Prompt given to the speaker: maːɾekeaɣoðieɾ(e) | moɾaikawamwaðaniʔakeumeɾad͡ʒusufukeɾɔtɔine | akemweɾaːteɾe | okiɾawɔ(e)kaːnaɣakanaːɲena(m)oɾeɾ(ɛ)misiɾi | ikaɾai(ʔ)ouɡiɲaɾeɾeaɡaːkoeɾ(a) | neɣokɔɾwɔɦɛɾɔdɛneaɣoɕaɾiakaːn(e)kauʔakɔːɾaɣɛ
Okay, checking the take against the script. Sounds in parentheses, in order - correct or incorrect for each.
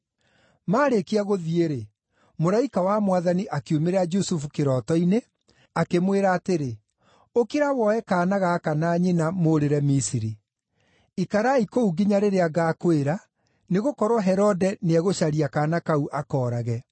correct, incorrect, correct, correct, incorrect, correct, incorrect

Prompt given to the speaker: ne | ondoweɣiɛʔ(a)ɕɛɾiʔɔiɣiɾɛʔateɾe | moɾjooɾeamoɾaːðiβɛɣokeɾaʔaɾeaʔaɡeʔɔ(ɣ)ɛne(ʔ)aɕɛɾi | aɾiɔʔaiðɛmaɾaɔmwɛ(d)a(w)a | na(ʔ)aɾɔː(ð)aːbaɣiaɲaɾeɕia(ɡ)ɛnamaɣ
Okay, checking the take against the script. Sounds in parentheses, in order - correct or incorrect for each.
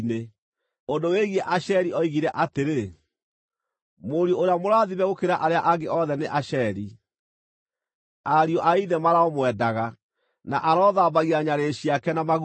correct, incorrect, correct, correct, incorrect, correct, correct, incorrect

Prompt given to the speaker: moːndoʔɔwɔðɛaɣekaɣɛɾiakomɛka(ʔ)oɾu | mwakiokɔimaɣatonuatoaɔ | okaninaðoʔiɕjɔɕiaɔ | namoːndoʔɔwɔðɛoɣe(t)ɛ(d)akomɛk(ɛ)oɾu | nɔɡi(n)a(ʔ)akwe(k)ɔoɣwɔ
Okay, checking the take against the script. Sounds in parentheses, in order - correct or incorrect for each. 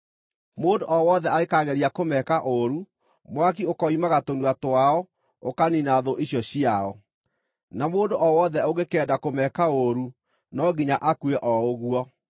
correct, incorrect, correct, incorrect, incorrect, correct, incorrect

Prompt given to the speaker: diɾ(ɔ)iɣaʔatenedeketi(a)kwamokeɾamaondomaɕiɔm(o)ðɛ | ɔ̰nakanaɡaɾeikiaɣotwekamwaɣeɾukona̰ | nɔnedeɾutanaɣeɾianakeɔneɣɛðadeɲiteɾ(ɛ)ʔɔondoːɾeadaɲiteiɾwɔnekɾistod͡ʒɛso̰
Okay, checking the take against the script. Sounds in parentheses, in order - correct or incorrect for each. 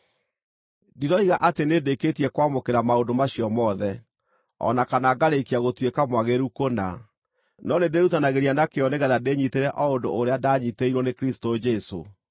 correct, incorrect, incorrect, correct

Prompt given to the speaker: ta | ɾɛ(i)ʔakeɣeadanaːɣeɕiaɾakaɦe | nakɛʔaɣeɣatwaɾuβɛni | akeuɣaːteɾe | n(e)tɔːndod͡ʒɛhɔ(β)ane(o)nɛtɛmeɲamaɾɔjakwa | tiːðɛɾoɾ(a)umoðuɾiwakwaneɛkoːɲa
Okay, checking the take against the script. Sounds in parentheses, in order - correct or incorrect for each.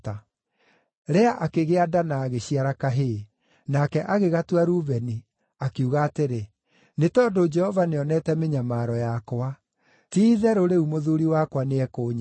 incorrect, correct, incorrect, incorrect, incorrect

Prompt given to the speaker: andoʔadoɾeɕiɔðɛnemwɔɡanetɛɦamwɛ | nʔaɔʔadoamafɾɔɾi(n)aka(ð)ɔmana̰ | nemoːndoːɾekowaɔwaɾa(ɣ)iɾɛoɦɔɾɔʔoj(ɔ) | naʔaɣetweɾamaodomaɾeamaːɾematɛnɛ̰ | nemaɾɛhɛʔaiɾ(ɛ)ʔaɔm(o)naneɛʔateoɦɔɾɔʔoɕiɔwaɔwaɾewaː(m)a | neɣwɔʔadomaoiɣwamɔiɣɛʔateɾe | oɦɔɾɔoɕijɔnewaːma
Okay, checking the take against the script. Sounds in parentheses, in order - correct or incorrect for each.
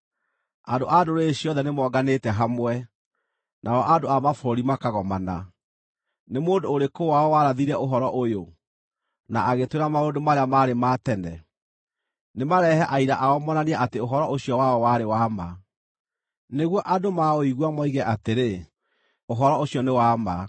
incorrect, incorrect, incorrect, incorrect, incorrect, incorrect, correct

